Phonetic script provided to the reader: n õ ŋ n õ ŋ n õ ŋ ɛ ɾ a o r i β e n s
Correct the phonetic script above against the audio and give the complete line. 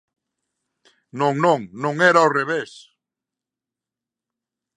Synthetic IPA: n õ ŋ n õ ŋ n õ ŋ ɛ ɾ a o r e β e s